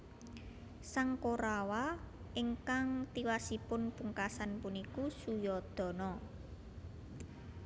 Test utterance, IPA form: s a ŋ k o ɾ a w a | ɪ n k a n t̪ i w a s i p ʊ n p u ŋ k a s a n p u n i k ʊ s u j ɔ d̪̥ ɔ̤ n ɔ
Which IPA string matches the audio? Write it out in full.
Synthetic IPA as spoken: s a ŋ k o ɾ a w a | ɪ ŋ k a ŋ t̪ i w a s i p ʊ n p u ŋ k a s a n p u n i k u s u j ɔ d̪̥ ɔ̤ n ɔ